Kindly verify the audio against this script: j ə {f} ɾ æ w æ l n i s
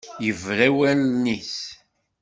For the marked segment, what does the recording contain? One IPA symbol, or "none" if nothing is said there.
v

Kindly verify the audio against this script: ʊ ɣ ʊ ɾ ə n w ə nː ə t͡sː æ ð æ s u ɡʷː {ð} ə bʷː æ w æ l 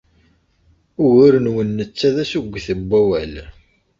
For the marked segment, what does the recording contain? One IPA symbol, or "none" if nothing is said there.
θ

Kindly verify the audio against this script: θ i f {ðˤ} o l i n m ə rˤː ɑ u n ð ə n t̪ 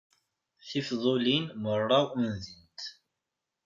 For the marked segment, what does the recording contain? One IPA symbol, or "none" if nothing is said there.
ðˤ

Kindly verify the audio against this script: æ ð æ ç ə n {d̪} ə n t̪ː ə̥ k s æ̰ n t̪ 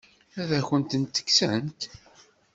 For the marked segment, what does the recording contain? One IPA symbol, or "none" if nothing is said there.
t̪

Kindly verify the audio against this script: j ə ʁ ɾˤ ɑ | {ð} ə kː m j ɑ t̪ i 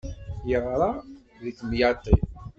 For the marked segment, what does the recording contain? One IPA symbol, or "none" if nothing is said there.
ð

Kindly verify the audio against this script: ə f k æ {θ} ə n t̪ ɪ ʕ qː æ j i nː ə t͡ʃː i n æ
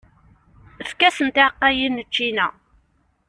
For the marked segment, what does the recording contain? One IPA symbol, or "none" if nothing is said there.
s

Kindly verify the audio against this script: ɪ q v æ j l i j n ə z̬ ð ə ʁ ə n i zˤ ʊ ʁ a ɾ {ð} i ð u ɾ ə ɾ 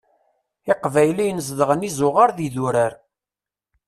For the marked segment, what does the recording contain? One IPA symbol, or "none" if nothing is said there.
ð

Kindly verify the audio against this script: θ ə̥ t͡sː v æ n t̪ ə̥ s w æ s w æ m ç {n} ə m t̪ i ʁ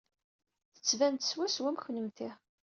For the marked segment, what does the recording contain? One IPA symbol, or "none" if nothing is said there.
n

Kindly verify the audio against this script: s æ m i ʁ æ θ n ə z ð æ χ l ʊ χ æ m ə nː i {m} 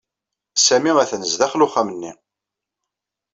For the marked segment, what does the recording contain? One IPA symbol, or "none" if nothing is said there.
none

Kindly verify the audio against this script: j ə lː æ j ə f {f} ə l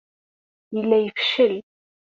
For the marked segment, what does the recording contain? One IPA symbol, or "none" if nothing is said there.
ʃ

